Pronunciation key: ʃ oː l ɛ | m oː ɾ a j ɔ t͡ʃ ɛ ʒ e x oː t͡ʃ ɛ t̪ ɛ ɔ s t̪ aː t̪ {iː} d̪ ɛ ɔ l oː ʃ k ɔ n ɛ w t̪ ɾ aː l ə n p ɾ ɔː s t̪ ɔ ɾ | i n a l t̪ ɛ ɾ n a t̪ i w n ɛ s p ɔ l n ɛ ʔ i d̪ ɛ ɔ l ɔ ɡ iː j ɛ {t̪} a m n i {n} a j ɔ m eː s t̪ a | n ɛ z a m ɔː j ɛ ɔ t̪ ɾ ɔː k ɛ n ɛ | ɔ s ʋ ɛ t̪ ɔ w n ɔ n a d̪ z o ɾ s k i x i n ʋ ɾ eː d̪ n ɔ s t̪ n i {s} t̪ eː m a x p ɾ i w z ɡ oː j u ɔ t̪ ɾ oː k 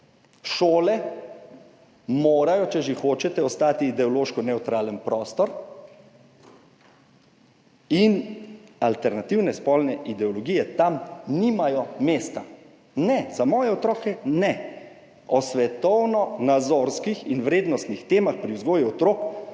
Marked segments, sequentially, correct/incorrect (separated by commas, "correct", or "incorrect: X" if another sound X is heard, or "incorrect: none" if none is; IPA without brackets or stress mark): correct, correct, incorrect: m, incorrect: x